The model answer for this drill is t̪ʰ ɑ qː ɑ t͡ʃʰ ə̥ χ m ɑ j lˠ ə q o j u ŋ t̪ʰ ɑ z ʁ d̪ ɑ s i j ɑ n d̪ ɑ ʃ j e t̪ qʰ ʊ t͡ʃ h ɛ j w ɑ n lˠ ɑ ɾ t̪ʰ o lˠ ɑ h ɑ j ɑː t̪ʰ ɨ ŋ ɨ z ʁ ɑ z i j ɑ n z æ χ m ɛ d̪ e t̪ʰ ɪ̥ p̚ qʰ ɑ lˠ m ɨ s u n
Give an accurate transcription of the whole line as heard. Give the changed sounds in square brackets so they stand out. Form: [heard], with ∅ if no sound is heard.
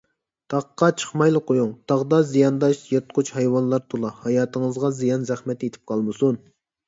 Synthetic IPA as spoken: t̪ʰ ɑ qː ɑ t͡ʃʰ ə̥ χ m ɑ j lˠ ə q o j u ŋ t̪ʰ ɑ [∅] ʁ d̪ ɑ [z] i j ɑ n d̪ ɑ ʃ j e t̪ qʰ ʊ t͡ʃ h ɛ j w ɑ n lˠ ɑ ɾ t̪ʰ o lˠ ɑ h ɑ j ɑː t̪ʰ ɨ ŋ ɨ z ʁ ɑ z i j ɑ n z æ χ m ɛ [t̪] e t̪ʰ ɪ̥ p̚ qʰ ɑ lˠ m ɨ s u n